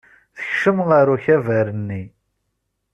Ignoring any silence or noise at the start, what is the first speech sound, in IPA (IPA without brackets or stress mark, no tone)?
θ